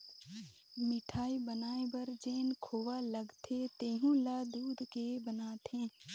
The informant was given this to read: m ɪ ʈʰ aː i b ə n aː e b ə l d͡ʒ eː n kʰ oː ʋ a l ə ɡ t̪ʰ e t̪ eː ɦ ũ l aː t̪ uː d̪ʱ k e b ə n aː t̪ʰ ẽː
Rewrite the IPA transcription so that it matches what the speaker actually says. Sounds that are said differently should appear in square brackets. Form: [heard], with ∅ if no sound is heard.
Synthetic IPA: m ɪ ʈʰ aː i b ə n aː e b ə [ɾ] d͡ʒ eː n kʰ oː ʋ a l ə ɡ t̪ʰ e t̪ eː ɦ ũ l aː [d̪] uː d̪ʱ k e b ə n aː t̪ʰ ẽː